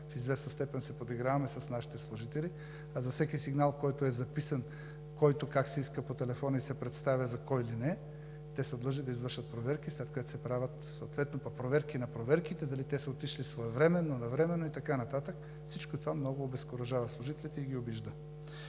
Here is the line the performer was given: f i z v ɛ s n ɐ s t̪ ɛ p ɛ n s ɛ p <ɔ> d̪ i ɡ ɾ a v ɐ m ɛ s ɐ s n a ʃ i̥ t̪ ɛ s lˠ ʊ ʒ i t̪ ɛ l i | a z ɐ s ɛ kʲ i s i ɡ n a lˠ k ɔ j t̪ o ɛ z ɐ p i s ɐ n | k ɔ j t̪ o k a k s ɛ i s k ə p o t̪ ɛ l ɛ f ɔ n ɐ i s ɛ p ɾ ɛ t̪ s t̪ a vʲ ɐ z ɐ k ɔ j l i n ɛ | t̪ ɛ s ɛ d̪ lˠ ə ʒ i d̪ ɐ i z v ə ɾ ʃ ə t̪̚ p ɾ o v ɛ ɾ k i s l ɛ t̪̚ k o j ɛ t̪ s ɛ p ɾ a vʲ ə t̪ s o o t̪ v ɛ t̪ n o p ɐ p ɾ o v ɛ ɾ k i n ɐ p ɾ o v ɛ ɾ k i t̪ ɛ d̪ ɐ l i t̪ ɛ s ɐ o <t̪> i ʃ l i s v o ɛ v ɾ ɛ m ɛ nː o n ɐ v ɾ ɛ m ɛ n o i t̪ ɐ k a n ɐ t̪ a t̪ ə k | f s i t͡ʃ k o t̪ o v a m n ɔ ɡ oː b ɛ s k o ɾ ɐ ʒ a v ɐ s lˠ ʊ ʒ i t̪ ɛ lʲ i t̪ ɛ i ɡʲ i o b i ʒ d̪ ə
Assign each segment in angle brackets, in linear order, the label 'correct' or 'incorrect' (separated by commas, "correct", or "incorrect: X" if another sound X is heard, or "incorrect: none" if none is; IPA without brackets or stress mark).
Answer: incorrect: o, correct